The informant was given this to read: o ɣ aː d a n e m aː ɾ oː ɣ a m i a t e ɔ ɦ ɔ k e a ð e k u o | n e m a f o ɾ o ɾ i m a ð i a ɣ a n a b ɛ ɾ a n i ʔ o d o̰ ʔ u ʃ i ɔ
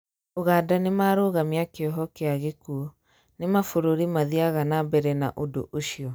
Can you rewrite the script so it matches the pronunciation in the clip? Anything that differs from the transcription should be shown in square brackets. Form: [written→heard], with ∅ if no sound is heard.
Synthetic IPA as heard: o ɣ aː d a n e m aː ɾ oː ɣ a m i a [t→k] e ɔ ɦ ɔ k e a [ð→ɣ] e k u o | n e m a f o ɾ o ɾ i m a ð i a ɣ a n a b ɛ ɾ [a→ɛ] n [i→a] ʔ o d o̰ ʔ [u→o] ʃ i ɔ